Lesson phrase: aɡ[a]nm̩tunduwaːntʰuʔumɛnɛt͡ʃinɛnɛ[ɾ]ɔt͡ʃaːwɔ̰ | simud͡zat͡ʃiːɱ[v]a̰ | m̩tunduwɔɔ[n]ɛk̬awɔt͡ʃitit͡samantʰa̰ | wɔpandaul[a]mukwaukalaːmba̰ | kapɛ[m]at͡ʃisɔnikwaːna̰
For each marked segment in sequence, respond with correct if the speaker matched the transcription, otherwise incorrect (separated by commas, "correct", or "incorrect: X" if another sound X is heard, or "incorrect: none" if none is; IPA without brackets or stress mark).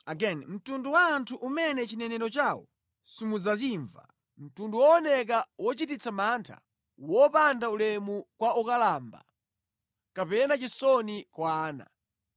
incorrect: ɛ, correct, correct, correct, incorrect: ɛ, incorrect: n